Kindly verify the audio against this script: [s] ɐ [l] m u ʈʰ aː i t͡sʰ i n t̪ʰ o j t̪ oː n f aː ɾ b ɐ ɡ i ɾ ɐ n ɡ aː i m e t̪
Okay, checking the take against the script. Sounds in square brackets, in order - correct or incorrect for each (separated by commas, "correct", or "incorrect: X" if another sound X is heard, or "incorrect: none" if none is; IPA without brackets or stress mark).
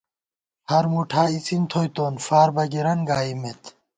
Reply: incorrect: h, incorrect: ɾ